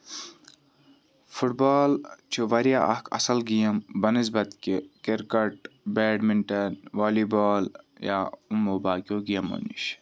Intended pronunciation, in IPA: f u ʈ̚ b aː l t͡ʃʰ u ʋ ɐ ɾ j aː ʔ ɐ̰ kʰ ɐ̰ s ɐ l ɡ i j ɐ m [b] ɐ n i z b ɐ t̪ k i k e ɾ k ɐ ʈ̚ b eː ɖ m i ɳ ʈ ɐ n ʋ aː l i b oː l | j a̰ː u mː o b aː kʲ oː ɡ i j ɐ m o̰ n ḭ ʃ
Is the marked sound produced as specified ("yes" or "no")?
yes